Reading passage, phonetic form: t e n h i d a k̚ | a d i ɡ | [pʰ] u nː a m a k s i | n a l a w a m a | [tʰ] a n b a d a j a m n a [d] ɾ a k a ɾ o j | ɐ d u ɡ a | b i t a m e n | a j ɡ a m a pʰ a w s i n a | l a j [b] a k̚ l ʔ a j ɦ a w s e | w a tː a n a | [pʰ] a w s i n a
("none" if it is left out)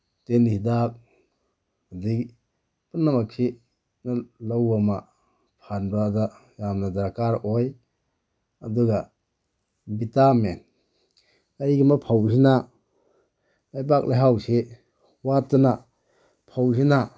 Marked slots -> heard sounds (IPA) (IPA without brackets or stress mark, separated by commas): p, pʰ, d, b, pʰ